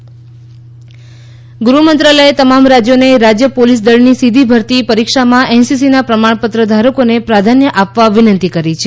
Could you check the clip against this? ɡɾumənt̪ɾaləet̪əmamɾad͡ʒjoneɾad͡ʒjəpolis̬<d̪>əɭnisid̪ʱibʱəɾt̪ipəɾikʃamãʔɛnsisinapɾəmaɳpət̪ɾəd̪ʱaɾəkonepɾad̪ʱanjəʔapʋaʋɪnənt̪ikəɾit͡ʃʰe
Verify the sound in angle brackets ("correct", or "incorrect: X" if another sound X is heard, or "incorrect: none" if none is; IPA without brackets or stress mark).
correct